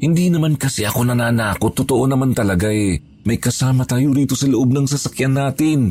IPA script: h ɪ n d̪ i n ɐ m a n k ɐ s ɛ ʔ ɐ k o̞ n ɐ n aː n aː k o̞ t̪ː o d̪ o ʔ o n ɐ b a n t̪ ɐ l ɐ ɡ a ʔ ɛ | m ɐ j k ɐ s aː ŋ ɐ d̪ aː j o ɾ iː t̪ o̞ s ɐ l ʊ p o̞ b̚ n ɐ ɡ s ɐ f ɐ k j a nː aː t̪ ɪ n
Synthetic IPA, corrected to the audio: h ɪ n d̪ i n ɐ m a n k ɐ s ɛ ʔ ɐ k o̞ n ɐ n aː n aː k o̞ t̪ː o t̪ o ʔ o n ɐ m a n t̪ ɐ l ɐ ɡ a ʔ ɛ | m ɐ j k ɐ s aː m ɐ t̪ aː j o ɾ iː t̪ o̞ s ɐ l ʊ ʔ o̞ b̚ n ɐ ŋ s ɐ s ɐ k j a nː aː t̪ ɪ n